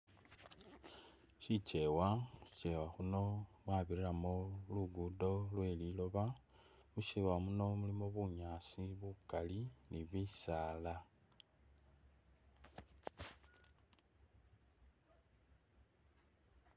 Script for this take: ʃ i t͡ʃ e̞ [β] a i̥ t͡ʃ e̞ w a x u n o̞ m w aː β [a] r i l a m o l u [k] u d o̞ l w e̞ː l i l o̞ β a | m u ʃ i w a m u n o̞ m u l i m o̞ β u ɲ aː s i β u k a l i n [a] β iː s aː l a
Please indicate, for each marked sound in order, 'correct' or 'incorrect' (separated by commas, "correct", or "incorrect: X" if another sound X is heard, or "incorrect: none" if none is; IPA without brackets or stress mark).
incorrect: w, incorrect: i, incorrect: ɡ, incorrect: i